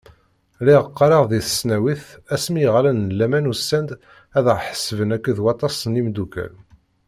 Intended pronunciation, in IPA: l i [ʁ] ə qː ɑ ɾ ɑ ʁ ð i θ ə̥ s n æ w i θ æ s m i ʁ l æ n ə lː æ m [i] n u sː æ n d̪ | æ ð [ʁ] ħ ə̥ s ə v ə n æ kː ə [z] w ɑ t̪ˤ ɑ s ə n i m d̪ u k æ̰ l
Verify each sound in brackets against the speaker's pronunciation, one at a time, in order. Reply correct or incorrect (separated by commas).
correct, incorrect, correct, incorrect